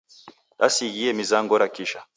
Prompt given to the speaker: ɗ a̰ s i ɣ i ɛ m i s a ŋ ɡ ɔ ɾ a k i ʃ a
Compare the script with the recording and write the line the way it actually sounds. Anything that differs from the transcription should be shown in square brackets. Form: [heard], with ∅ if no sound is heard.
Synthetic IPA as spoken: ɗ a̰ s i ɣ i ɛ m i [z] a ŋ ɡ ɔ ɾ a k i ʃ a